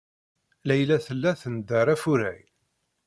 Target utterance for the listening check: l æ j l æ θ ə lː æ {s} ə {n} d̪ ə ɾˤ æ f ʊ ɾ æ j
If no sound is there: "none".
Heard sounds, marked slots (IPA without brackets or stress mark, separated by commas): θ, n